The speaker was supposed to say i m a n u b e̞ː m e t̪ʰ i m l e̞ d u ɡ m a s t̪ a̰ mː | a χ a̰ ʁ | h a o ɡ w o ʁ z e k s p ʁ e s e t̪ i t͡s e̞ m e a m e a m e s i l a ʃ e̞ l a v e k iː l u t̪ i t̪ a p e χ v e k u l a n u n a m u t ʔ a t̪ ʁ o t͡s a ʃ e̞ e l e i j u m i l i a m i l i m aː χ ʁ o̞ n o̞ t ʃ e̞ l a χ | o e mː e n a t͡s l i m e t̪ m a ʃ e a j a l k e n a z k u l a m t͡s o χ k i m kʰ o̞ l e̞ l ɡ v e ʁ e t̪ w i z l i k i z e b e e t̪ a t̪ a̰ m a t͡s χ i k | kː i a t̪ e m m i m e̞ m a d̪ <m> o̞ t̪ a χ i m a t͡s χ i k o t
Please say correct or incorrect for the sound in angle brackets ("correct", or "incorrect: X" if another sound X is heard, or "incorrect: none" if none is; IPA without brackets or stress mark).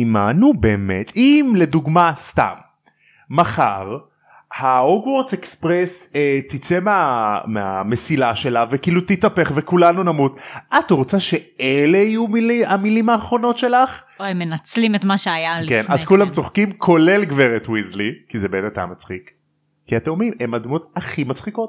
correct